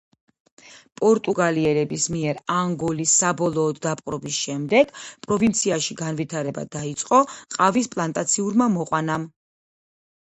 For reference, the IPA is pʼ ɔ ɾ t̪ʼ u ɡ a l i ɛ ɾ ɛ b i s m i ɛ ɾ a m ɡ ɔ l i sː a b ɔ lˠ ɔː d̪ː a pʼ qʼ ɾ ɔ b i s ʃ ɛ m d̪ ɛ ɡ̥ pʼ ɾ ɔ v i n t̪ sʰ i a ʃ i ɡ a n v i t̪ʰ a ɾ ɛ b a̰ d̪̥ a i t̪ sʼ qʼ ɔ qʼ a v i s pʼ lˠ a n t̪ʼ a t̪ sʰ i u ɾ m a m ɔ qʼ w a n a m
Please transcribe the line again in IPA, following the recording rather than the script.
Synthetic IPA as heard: pʼ ɔ ɾ t̪ʼ u ɡ a l i ɛ ɾ ɛ b i s m i ɛ ɾ a ŋ ɡ ɔ l i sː a b ɔ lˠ ɔː d̪ː a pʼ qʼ ɾ ɔ b i s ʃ ɛ m d̪ ɛ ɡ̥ pʼ ɾ ɔ v i n t̪ sʰ i a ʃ i ɡ a n v i t̪ʰ a ɾ ɛ b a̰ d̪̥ a i t̪ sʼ qʼ ɔ qʼ a v i s pʼ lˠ a n t̪ʼ a t̪ sʰ i u ɾ m a m ɔ qʼ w a n a m